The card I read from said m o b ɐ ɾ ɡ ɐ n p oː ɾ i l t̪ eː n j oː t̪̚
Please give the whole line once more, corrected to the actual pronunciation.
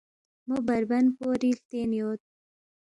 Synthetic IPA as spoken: m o b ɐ ɾ b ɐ n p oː ɾ i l t̪ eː n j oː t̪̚